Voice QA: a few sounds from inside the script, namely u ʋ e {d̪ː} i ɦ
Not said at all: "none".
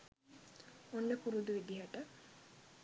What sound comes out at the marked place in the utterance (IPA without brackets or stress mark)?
d̪